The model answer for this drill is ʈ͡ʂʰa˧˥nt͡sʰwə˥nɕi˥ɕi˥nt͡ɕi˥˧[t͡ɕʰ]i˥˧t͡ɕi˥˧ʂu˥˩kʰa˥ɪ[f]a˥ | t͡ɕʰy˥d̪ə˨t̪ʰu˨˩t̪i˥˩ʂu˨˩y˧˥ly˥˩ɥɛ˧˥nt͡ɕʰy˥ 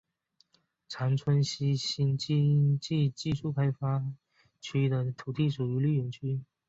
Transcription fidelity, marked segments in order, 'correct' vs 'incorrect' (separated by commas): incorrect, correct